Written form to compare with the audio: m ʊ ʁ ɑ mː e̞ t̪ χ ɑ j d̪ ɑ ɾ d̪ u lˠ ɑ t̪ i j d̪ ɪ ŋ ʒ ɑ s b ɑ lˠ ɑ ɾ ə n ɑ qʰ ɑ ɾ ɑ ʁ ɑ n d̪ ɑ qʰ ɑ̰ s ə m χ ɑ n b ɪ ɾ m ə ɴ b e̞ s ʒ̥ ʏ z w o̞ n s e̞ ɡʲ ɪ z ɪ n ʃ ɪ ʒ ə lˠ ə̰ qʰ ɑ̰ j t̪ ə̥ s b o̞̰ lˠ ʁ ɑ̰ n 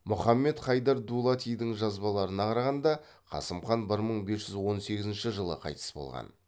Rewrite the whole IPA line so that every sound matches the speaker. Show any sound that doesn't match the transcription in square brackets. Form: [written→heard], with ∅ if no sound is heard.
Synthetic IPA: m ʊ [ʁ→χ] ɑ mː e̞ t̪ χ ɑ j d̪ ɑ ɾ d̪ u lˠ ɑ t̪ i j d̪ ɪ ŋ ʒ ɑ [s→z] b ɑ lˠ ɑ ɾ ə n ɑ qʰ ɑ ɾ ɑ ʁ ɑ n d̪ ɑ qʰ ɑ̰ s ə m χ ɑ n b ɪ ɾ m ə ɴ b e̞ s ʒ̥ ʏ z w o̞ n s e̞ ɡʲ ɪ z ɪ n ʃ ɪ ʒ ə lˠ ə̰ qʰ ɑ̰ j t̪ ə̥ s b o̞̰ lˠ ʁ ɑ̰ n